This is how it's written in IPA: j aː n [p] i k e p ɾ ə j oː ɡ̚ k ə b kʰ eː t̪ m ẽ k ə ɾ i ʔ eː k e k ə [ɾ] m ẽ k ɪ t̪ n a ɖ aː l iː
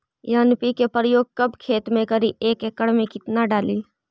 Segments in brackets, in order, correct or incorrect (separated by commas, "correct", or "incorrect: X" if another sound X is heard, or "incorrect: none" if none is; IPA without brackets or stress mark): correct, incorrect: ɽ